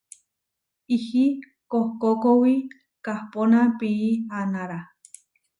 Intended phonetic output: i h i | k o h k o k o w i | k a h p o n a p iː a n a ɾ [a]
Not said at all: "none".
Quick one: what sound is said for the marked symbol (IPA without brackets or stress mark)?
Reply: a